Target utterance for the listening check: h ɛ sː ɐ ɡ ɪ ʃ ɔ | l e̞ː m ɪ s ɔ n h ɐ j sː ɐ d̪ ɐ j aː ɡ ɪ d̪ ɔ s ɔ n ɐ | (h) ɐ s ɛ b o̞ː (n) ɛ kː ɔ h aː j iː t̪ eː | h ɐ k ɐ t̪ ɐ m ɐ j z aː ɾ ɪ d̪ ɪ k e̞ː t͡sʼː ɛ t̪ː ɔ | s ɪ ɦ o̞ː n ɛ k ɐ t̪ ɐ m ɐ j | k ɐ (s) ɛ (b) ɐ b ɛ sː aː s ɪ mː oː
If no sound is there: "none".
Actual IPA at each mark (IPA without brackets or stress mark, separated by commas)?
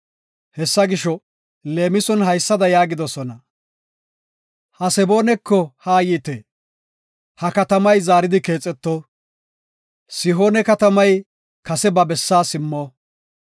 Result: h, n, s, b